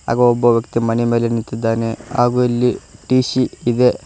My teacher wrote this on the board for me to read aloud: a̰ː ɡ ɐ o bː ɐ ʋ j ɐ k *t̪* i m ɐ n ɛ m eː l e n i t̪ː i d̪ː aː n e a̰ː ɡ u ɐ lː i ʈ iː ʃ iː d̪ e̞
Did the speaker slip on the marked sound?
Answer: no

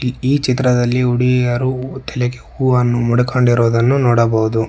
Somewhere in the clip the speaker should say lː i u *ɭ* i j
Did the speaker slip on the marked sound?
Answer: yes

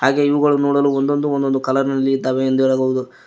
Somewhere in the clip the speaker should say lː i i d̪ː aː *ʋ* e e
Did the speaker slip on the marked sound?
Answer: no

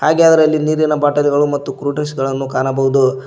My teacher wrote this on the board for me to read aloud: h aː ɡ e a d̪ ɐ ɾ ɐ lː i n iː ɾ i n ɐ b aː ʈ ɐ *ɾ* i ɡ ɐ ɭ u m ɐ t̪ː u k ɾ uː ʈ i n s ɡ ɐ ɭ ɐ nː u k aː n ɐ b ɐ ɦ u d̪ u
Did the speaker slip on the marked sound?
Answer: yes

